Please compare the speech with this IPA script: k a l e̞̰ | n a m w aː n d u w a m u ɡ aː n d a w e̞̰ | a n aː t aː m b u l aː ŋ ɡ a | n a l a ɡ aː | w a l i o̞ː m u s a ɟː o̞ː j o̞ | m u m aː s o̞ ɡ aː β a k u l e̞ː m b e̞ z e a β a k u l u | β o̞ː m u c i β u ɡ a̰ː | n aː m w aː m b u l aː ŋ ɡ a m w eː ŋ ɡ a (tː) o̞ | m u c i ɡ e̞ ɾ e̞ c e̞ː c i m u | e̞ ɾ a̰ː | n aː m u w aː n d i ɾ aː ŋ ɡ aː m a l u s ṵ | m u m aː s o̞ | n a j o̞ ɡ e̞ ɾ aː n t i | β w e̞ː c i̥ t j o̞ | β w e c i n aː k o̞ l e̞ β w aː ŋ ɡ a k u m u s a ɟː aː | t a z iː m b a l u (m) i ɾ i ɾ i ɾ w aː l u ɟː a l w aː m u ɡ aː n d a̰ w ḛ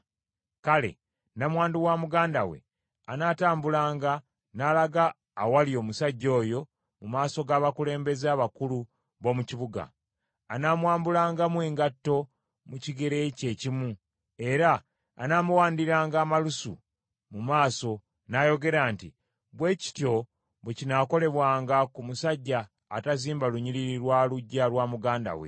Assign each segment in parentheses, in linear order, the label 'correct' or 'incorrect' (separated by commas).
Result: correct, incorrect